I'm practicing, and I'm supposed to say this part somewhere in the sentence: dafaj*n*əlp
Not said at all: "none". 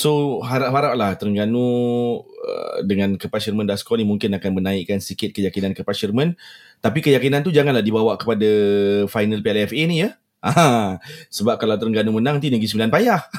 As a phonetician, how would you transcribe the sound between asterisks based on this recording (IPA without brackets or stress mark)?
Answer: n